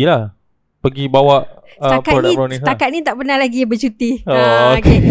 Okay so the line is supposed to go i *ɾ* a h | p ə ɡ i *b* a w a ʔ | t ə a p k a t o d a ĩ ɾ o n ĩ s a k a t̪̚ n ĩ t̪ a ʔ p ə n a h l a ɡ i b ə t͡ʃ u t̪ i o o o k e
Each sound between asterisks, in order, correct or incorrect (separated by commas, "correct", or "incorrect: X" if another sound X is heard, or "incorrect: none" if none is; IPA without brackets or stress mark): incorrect: l, correct